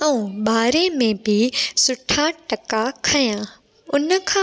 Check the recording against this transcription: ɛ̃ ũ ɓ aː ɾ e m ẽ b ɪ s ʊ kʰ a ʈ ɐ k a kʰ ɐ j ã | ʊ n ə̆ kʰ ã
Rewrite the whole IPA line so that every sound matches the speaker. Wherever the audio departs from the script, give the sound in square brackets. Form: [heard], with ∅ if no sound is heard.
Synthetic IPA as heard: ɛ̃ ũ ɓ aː ɾ e m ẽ b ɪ s ʊ [ʈʰ] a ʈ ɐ k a kʰ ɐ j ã | ʊ n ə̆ kʰ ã